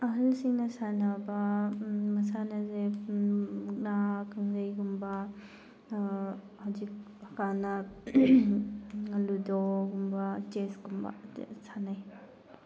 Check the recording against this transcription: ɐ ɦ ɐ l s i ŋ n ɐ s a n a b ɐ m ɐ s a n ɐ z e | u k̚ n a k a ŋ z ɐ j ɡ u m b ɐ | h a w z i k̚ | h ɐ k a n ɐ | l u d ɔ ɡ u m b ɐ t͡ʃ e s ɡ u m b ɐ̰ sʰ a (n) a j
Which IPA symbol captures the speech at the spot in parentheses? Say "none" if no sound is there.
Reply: n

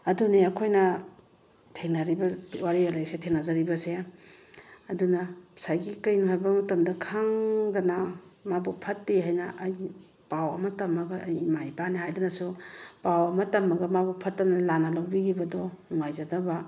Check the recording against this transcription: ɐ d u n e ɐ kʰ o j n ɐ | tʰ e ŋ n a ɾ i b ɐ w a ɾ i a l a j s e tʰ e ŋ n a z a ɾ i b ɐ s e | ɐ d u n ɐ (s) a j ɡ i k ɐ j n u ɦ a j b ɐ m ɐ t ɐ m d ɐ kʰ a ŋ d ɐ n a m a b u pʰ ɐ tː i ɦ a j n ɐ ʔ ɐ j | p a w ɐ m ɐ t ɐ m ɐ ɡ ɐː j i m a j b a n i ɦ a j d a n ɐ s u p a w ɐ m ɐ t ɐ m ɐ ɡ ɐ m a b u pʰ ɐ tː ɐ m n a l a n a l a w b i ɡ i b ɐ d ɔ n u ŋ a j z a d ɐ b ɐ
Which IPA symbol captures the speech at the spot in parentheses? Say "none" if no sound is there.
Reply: s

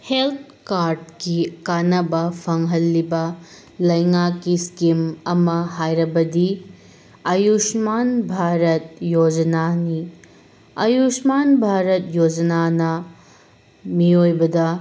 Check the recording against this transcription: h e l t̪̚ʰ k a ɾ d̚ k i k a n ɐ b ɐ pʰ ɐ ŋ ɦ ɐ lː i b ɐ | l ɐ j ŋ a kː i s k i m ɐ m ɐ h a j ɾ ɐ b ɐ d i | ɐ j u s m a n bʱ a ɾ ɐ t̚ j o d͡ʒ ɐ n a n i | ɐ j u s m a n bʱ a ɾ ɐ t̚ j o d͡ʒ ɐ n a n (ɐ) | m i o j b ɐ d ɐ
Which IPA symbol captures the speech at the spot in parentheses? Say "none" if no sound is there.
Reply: ɐ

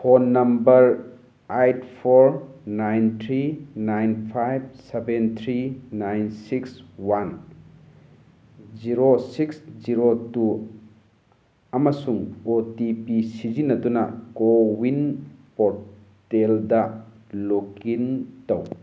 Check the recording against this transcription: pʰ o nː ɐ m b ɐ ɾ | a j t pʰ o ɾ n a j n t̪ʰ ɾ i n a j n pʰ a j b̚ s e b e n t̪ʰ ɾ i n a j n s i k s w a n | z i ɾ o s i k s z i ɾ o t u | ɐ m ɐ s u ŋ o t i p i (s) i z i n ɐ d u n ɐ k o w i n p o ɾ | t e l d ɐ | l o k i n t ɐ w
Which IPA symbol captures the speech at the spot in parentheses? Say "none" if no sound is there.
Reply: s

